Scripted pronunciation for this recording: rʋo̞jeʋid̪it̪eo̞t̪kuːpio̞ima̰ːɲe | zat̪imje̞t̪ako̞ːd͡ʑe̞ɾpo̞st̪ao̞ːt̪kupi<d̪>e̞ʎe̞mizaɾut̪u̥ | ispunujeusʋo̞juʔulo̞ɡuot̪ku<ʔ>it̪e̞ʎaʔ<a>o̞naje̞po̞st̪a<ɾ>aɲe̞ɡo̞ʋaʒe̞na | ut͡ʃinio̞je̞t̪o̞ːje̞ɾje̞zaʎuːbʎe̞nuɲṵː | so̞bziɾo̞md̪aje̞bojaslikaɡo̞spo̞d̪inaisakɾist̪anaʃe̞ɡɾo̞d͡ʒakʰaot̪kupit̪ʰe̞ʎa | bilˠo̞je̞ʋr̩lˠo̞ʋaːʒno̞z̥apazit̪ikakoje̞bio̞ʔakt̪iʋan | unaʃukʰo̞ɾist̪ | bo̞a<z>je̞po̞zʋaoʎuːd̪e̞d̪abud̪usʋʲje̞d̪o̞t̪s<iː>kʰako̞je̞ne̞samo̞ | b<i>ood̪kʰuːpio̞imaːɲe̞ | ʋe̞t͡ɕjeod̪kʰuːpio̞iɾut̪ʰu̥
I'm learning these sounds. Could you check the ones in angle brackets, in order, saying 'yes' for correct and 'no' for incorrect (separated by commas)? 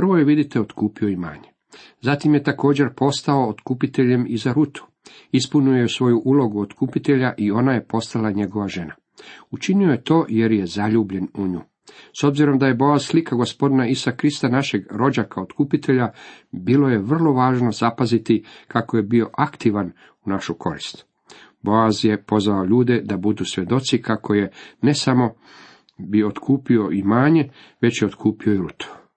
no, no, no, no, yes, no, yes